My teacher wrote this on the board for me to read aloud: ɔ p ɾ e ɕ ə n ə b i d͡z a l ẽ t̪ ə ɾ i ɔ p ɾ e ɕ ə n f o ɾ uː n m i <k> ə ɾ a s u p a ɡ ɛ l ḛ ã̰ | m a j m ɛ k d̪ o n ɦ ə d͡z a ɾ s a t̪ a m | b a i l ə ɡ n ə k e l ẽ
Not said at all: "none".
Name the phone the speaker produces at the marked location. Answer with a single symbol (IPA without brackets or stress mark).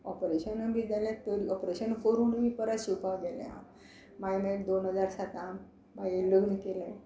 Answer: p